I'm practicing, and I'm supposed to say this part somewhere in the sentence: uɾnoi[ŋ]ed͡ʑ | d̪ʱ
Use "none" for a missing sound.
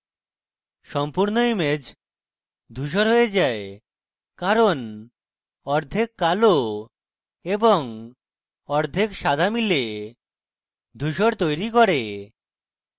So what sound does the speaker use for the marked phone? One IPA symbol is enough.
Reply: m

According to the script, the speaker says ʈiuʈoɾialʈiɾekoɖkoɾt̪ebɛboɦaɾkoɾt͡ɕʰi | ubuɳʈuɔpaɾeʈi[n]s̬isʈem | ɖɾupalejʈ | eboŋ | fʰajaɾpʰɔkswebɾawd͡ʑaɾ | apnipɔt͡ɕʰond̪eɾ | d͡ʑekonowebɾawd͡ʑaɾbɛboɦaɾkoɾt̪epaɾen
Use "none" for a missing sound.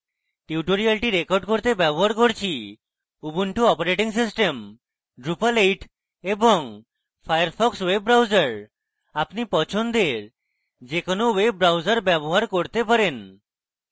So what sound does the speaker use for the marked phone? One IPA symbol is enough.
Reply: ŋ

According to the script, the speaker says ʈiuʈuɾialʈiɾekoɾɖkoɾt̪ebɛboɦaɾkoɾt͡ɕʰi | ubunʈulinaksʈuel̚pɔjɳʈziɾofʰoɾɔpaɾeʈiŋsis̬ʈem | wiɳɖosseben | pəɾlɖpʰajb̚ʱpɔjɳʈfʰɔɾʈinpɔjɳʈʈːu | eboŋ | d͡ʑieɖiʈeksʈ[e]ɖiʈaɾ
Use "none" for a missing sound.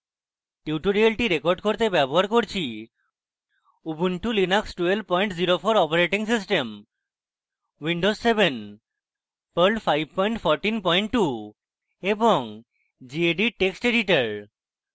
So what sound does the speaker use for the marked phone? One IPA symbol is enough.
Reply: e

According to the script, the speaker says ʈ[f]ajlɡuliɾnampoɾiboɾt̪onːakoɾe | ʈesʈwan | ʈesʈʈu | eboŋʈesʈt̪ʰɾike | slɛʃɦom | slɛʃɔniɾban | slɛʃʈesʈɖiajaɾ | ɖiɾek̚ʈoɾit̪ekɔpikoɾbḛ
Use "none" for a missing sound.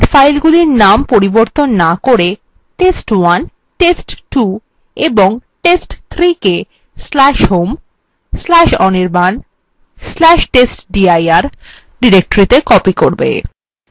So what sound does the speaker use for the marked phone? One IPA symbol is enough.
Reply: f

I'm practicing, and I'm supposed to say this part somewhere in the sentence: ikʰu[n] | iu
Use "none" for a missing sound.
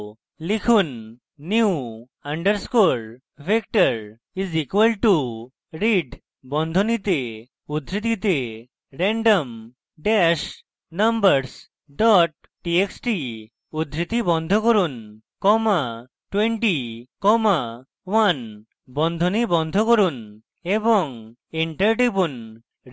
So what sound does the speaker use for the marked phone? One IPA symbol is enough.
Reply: nː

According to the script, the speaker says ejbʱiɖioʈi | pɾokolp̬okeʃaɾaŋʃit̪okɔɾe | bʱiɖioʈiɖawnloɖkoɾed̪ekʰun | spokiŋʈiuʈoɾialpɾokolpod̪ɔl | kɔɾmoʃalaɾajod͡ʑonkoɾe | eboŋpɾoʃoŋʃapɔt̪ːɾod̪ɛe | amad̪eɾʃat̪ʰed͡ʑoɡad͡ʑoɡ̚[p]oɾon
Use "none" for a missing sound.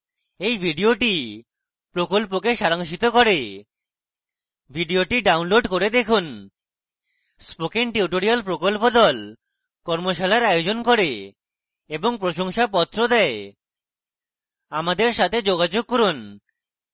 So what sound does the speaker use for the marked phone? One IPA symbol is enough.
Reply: k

